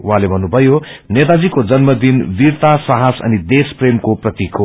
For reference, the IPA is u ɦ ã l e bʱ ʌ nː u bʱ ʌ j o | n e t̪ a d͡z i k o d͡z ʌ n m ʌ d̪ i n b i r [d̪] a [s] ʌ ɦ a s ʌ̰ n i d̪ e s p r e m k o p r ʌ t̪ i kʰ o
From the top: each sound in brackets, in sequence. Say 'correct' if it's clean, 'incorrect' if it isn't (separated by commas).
incorrect, correct